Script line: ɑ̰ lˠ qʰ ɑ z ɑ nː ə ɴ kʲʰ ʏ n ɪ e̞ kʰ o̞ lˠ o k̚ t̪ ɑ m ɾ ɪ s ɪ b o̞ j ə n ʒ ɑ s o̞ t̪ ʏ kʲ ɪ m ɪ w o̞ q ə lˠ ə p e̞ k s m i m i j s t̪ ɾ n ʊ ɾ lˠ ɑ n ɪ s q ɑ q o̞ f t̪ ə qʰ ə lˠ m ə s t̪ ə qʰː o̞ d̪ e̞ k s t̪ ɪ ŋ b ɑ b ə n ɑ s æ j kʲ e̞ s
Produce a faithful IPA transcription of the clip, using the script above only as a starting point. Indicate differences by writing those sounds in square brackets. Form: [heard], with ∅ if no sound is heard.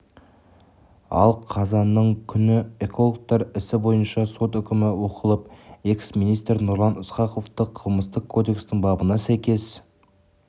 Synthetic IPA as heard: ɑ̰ lˠ qʰ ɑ z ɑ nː ə ɴ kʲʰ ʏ n ɪ e̞ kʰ o̞ lˠ o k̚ t̪ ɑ [∅] ɾ ɪ s ɪ b o̞ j ə n [ʃ] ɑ s o̞ t̪ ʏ kʲ ɪ m ɪ w o̞ q ə lˠ ə p e̞ k s m i [n] i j s t̪ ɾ n ʊ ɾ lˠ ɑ n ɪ s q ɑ q o̞ f t̪ ə qʰ ə lˠ m ə s t̪ ə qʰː o̞ d̪ e̞ k s t̪ ɪ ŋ b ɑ b ə n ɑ s æ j kʲ e̞ s